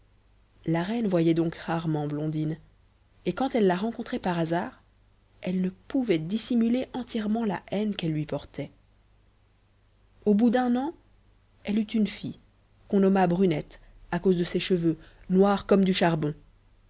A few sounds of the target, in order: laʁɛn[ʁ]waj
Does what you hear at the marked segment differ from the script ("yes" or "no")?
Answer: yes